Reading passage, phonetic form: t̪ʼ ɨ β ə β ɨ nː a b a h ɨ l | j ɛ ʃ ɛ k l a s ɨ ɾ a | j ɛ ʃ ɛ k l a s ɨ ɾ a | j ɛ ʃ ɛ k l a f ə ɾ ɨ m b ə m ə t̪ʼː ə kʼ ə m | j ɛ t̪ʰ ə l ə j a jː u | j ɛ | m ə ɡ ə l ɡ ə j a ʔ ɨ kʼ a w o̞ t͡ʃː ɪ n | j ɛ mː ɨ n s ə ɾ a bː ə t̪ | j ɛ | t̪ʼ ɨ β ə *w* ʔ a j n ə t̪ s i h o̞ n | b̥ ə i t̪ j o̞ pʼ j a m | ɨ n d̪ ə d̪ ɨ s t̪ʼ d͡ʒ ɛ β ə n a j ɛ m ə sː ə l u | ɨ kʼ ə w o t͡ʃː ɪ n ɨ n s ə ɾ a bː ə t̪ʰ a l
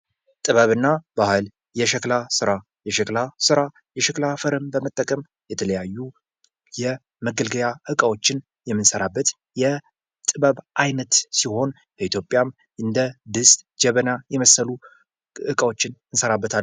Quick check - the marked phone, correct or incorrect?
incorrect